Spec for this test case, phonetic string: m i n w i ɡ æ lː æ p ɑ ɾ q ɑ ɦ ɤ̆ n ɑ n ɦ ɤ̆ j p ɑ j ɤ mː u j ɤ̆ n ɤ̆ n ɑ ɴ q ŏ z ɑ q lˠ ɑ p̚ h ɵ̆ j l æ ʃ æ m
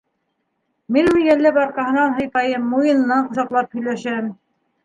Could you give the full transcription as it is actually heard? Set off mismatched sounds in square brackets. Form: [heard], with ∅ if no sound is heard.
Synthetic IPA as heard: m i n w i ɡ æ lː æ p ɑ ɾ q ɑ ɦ ɤ̆ n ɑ n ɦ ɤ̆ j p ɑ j ɤ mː u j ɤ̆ n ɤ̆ n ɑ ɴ q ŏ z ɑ q lˠ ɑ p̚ h ɵ̆ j l æ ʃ æ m